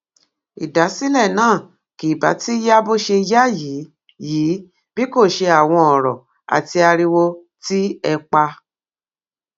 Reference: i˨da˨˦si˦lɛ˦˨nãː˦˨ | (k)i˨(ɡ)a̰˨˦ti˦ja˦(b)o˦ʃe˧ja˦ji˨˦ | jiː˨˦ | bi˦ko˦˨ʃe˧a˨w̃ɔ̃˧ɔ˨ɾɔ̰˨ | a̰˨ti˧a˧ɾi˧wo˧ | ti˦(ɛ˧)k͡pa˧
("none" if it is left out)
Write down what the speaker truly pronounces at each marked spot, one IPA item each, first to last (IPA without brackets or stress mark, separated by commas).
k, b, b, ɛ˧